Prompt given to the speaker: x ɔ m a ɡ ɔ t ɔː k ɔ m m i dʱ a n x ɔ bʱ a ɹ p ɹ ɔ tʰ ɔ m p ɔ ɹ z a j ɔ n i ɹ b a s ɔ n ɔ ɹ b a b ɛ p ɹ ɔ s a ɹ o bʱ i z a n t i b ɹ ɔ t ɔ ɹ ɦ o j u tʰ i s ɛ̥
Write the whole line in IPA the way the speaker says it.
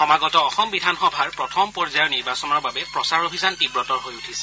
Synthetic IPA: x ɔ m a ɡ ɔ t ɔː x ɔ m b i dʱ a n x ɔ bʱ a ɹ p ɹ ɔ tʰ ɔ m p ɔ ɹ z a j ɔ n i ɹ b a s ɔ n ɔ ɹ b a b ɛ p ɹ ɔ s a ɹ o bʱ i z a n t i b ɹ ɔ t ɔ ɹ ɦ o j u tʰ i s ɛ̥